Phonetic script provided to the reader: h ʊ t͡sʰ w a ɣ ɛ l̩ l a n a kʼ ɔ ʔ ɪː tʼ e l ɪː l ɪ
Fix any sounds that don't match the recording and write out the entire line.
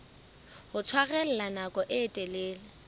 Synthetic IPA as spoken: h ʊ t͡sʰ w a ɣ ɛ l̩ l a n a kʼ ɔ ʔ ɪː tʼ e l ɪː l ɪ